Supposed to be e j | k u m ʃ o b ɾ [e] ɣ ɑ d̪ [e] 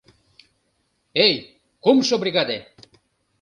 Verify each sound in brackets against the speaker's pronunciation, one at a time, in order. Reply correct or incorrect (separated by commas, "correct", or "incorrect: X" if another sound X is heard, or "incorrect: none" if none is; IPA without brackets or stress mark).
incorrect: i, correct